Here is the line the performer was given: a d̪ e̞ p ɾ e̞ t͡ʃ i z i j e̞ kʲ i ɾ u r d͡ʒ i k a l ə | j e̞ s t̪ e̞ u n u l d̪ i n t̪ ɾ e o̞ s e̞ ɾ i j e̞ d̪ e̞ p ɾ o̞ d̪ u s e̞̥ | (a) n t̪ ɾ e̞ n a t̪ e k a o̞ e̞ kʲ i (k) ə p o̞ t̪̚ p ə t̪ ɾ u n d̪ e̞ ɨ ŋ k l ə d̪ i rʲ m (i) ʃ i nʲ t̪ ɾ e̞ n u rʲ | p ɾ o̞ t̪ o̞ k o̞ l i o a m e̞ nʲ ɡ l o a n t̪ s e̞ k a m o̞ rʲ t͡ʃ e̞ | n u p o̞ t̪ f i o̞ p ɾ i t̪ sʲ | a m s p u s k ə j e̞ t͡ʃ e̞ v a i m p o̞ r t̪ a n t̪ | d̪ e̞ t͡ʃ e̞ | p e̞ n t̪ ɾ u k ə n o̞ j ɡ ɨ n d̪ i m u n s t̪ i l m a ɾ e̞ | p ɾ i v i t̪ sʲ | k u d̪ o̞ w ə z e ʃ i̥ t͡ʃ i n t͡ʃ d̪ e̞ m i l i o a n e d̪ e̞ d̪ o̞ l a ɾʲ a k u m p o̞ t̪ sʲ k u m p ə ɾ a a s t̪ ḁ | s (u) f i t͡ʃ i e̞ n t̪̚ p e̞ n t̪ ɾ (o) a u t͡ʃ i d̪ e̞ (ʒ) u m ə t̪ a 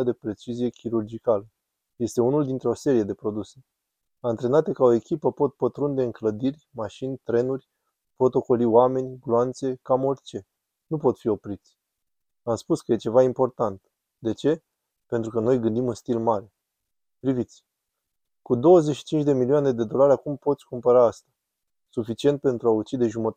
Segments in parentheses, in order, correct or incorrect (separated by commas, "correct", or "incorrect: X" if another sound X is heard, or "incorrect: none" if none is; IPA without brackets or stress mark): correct, incorrect: p, incorrect: a, correct, incorrect: u, correct